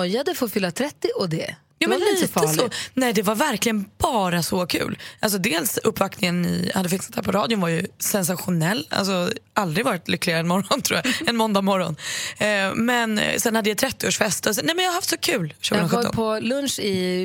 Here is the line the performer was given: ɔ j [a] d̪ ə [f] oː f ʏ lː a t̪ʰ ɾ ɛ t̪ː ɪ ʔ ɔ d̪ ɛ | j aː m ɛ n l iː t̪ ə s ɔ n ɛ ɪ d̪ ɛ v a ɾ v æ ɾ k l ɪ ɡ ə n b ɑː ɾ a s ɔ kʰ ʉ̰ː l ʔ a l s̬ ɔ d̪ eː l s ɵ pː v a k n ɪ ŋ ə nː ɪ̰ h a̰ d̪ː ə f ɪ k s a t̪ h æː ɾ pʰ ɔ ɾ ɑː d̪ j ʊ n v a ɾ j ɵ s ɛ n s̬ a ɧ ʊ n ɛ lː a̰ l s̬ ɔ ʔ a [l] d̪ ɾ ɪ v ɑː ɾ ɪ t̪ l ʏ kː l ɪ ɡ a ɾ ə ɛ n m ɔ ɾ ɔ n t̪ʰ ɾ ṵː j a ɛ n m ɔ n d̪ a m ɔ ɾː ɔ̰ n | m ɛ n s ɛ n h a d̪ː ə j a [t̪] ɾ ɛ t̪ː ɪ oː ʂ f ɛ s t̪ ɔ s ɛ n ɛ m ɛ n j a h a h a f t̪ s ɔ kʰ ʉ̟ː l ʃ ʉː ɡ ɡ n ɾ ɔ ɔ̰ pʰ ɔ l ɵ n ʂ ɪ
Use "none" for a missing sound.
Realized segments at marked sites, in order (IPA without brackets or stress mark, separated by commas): a, f, l, t̪ʰ